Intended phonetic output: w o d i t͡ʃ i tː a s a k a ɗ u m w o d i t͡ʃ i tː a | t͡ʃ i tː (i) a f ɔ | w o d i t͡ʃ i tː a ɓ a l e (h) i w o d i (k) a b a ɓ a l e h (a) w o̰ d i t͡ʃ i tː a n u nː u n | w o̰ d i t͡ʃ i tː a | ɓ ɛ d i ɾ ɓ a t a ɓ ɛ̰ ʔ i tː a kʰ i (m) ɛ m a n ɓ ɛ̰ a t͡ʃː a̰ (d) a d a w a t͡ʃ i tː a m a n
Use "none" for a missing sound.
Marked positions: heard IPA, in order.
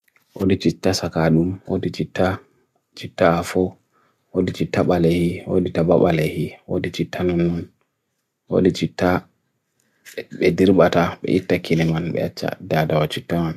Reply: a, h, t, i, n, d

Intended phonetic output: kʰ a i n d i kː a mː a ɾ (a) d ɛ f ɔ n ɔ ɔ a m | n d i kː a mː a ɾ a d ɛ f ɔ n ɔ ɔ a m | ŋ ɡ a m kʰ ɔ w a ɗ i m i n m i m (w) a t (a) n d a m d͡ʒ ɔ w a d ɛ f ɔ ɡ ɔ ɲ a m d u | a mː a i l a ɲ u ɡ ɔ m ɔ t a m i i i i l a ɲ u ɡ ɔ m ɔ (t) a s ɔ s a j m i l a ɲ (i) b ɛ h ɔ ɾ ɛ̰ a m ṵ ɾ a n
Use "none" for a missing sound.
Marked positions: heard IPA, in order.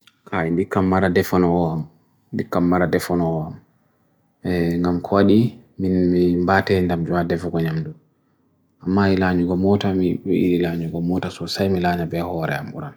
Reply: a, b, ɛ, t, a

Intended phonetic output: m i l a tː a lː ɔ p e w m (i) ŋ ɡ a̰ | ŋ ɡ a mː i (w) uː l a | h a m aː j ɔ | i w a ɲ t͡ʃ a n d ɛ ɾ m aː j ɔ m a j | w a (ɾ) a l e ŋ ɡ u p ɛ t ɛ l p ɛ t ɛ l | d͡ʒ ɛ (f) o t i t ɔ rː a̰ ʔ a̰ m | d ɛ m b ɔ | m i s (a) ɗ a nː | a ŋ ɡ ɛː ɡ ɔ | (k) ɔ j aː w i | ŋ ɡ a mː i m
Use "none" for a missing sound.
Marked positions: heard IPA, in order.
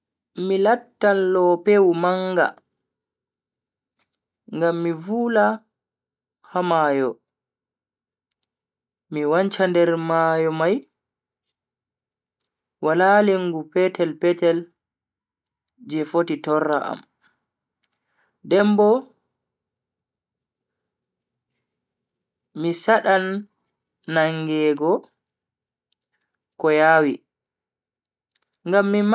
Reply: a, v, l, f, a, k

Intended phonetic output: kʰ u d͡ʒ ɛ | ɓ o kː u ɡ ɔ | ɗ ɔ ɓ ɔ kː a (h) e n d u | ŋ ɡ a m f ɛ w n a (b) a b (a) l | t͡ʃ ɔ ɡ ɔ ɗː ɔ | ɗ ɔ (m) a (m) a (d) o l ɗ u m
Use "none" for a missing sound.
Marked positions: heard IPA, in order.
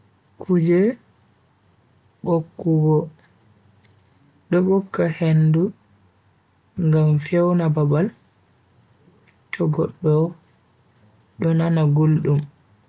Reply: h, b, a, n, n, ɡ

